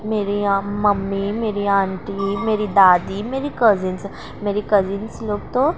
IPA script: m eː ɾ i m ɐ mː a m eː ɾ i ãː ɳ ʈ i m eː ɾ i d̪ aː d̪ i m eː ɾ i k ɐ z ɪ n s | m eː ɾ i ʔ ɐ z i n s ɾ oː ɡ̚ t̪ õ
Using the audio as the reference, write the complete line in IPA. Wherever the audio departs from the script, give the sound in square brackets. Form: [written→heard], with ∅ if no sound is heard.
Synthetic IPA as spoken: m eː ɾ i m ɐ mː [a→i] m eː ɾ i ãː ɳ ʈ i m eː ɾ i d̪ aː d̪ i m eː ɾ i k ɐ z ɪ n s | m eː ɾ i [ʔ→k] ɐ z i n s [ɾ→l] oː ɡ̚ t̪ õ